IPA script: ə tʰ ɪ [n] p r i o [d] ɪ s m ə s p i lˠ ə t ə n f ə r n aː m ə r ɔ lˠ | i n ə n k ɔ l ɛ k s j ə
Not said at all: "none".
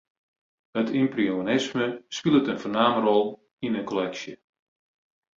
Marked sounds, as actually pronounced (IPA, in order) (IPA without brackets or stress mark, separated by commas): m, n